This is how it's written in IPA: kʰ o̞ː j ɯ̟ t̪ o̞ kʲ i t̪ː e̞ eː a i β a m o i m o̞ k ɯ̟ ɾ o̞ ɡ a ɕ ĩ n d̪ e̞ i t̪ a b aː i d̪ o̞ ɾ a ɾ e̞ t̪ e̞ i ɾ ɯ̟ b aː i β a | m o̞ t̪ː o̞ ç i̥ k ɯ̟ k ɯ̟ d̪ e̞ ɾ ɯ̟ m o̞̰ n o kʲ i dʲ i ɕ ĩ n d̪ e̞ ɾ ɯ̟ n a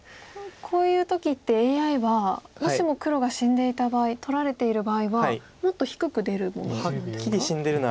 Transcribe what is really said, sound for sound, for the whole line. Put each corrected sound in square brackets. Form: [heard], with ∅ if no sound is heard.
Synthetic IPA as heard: kʰ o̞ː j [ɯ̟ː] t̪ o̞ kʲ i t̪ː e̞ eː a i β a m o i m o̞ k ɯ̟ ɾ o̞ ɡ a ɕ ĩ n d̪ e̞ i t̪ a b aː i [t̪] o̞ ɾ a ɾ e̞ t̪ e̞ i ɾ ɯ̟ b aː i β a | m o̞ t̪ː o̞ ç i̥ k ɯ̟ k ɯ̟ d̪ e̞ ɾ ɯ̟ m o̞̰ n o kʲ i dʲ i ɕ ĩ n d̪ e̞ ɾ ɯ̟ n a

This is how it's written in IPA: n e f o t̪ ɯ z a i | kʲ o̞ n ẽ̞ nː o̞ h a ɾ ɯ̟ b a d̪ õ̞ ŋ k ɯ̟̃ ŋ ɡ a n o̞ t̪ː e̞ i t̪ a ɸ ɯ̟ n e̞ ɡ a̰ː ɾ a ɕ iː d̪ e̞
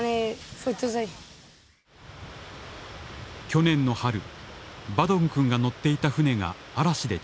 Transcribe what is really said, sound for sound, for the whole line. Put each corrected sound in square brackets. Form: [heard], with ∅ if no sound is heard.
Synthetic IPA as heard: n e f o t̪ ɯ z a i | kʲ o̞ n ẽ̞ nː o̞ h a ɾ ɯ̟ b a d̪ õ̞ ŋ k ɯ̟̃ ŋ ɡ a n o̞ t̪ː e̞ i t̪ a ɸ ɯ̟ n e̞ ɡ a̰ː ɾ a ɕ [i] d̪ e̞

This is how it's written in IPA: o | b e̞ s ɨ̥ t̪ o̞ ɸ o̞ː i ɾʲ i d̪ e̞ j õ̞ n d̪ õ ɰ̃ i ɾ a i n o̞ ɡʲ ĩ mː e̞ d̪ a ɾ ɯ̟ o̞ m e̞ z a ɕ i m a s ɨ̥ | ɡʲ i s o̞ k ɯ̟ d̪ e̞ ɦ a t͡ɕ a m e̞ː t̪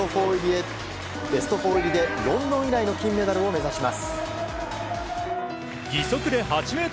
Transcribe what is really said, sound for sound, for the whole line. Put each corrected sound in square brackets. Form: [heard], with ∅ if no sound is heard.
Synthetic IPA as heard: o | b e̞ s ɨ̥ t̪ o̞ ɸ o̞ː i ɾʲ i d̪ e̞ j õ̞ n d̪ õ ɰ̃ i ɾ a i n o̞ [kʲ] ĩ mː e̞ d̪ a ɾ ɯ̟ o̞ m e̞ z a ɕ i m a s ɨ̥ | ɡʲ i s o̞ k ɯ̟ d̪ e̞ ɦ a t͡ɕ [i] m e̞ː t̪

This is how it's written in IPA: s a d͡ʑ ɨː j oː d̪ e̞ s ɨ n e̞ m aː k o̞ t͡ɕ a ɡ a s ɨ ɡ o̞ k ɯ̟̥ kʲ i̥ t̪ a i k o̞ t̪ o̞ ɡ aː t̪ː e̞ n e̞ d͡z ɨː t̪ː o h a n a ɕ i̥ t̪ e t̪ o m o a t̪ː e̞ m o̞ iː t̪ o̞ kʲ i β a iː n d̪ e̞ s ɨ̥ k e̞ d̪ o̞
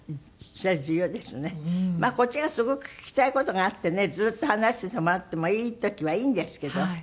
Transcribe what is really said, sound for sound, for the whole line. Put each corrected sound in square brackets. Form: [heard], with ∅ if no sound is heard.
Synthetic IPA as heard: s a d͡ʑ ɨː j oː d̪ e̞ s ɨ n e̞ m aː k o̞ t͡ɕ [i] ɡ a s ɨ ɡ o̞ k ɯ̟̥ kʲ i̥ t̪ a i k o̞ t̪ o̞ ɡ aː t̪ː e̞ n e̞ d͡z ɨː t̪ː o h a n a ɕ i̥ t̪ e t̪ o m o a t̪ː e̞ m o̞ iː t̪ o̞ kʲ i β a iː n d̪ e̞ s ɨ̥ k e̞ d̪ o̞

